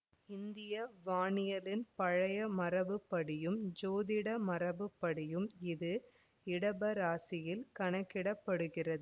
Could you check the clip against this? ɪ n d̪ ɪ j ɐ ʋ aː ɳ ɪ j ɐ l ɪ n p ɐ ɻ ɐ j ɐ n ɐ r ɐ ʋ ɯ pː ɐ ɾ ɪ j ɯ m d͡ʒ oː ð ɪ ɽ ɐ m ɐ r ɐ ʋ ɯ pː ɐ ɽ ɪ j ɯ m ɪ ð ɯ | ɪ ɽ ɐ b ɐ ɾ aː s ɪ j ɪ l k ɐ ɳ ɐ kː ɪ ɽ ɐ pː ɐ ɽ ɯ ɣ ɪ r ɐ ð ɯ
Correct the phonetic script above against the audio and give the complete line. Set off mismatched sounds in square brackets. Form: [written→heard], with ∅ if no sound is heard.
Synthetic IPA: ɪ n d̪ ɪ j ɐ ʋ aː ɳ ɪ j ɐ l ɪ n p ɐ ɻ ɐ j ɐ [n→m] ɐ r ɐ ʋ ɯ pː ɐ [ɾ→ɽ] ɪ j ɯ m d͡ʒ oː ð ɪ ɽ ɐ m ɐ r ɐ ʋ ɯ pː ɐ ɽ ɪ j ɯ m ɪ ð ɯ | ɪ ɽ ɐ b ɐ ɾ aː s ɪ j ɪ l k ɐ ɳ ɐ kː ɪ ɽ ɐ pː ɐ ɽ ɯ ɣ ɪ r ɐ ð ɯ